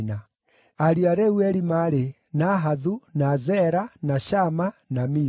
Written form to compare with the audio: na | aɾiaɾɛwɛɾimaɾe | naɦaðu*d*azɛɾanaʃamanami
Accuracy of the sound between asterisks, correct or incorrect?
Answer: incorrect